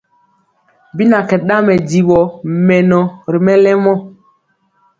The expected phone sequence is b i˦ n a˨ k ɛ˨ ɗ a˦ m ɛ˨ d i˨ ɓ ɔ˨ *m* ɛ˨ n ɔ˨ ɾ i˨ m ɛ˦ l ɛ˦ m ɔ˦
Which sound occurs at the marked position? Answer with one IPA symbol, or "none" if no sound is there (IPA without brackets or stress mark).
m